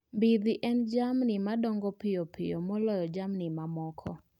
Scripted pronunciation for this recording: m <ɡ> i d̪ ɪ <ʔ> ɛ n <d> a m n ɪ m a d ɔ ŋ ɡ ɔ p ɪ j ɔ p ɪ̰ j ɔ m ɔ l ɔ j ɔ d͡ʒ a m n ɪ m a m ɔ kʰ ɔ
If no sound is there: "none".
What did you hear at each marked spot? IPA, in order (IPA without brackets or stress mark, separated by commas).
b, ʔ, d͡ʒ